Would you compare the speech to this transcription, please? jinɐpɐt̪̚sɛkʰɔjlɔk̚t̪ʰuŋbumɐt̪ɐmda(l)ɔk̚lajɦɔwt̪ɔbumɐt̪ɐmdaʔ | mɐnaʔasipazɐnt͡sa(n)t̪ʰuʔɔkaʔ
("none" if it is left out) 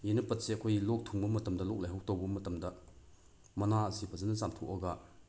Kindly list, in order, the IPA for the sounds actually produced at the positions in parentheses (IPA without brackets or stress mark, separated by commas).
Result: l, m